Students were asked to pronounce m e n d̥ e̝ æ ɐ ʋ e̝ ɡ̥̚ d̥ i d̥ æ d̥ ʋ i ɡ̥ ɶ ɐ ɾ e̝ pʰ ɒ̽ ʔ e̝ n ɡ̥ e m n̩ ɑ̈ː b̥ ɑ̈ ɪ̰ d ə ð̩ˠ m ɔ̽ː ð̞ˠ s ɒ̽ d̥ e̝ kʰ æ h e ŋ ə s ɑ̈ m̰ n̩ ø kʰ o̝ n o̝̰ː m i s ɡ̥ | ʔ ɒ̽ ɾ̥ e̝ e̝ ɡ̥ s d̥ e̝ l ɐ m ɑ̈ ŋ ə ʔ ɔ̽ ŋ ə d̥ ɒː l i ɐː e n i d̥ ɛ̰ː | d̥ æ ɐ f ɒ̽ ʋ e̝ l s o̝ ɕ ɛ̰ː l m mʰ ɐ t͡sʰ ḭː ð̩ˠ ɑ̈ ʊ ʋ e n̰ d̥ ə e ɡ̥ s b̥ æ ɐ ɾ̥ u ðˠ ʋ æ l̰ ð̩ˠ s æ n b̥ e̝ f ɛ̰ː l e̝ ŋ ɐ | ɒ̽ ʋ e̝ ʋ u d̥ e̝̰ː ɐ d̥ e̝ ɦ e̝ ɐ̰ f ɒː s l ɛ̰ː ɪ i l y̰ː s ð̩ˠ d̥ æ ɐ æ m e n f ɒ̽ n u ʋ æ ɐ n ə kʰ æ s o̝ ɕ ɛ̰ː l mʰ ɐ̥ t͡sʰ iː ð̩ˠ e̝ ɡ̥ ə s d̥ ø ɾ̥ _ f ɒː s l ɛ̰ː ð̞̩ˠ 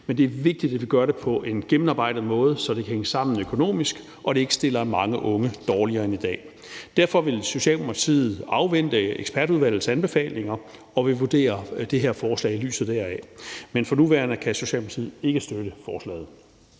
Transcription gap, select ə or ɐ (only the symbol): ə